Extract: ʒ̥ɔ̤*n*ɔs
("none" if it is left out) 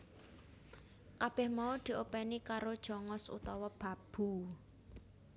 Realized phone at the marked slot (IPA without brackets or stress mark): ŋ